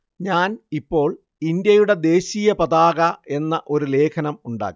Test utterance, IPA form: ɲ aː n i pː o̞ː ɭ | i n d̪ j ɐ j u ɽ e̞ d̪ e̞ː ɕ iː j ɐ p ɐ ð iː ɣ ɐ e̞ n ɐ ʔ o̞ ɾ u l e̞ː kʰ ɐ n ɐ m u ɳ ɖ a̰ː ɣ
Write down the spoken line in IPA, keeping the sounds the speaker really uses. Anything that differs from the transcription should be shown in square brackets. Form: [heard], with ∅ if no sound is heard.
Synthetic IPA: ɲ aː n i pː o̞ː ɭ | i n d̪ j ɐ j u ɽ e̞ d̪ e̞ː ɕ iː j ɐ p ɐ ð [aː] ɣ ɐ e̞ [nː] ɐ ʔ o̞ ɾ u l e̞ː kʰ ɐ n ɐ m u ɳ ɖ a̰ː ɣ